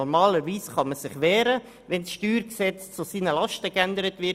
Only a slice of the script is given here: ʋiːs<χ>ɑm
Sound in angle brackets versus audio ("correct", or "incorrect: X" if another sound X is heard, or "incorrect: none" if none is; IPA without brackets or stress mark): correct